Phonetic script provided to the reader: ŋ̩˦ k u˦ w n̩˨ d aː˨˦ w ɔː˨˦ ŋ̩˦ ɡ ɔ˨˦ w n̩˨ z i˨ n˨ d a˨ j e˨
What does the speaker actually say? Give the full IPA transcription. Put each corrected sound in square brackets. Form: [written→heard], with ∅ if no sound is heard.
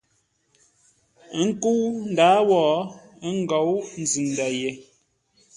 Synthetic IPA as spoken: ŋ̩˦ k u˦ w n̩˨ d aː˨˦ w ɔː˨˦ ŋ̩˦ ɡ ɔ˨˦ w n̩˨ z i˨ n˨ d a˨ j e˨